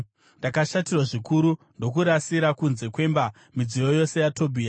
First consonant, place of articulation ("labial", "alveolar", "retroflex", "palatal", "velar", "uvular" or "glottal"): alveolar